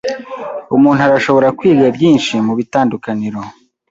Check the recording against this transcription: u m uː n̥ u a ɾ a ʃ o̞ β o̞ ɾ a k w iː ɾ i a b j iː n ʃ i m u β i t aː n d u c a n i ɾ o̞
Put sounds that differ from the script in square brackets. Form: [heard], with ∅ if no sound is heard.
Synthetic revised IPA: u m uː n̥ u a ɾ a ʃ o̞ β o̞ ɾ a k w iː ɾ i a b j iː n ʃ i m u β i t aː n d u [k] a n i ɾ o̞